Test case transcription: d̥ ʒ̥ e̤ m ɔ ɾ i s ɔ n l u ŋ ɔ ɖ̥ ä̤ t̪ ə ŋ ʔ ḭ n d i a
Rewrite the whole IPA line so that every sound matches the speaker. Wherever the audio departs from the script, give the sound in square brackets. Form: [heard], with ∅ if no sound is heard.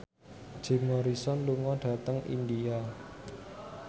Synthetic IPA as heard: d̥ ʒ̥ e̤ m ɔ ɾ i s ɔ n l u ŋ ɔ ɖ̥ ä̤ t̪ ə ŋ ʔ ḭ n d i a